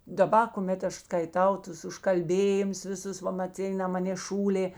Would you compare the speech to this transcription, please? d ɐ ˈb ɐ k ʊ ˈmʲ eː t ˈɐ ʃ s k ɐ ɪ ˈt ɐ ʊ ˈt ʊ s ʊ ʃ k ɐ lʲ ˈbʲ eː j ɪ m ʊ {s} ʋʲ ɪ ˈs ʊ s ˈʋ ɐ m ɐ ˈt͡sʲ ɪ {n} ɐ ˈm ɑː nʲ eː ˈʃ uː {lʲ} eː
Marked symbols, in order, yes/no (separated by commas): yes, yes, yes